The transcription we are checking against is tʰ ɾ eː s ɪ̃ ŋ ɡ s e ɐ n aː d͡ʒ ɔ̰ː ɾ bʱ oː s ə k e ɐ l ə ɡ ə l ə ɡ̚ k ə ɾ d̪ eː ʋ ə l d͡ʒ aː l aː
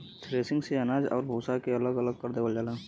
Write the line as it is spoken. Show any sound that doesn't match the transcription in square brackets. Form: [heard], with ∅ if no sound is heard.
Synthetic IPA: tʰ ɾ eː s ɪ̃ ŋ ɡ s e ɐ n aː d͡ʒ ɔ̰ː ɾ bʱ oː s [a] k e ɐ l ə ɡ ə l ə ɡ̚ k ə ɾ d̪ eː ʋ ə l d͡ʒ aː l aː